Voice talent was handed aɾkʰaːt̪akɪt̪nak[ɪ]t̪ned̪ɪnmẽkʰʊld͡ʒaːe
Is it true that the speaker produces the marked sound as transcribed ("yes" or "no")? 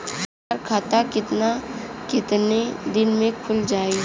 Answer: yes